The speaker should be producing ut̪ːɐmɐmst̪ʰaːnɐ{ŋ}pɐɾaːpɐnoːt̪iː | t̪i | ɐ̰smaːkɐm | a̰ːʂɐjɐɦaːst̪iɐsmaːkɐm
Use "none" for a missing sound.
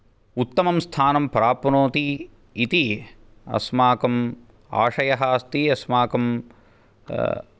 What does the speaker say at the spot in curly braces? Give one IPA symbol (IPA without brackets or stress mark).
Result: m